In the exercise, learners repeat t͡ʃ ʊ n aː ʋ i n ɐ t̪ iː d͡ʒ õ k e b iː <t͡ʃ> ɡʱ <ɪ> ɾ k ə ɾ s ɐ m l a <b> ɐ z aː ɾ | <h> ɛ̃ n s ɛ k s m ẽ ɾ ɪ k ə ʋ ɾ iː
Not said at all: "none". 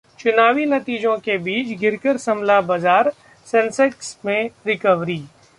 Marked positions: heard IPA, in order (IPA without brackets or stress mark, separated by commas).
t͡ʃ, ɪ, b, s